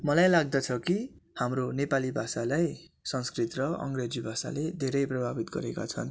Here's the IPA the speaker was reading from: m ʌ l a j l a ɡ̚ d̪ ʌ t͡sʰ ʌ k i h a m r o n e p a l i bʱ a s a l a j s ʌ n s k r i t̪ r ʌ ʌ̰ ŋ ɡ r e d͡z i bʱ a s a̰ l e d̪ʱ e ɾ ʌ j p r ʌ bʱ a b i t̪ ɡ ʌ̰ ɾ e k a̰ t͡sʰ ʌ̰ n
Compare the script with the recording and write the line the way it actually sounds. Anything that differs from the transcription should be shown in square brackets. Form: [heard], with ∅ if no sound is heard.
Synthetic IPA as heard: m ʌ l a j l a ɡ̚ d̪ ʌ t͡sʰ ʌ k i h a m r o n e p a l i bʱ a s a l a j s ʌ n s k r i t̪ r ʌ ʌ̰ ŋ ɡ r e d͡z i bʱ a s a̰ l e d̪ʱ e ɾ ʌ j p r ʌ bʱ a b i t̪ ɡ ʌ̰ ɾ e k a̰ t͡sʰ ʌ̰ n